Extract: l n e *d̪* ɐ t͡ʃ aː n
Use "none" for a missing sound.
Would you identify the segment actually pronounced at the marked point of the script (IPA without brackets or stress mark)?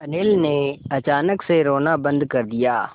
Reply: none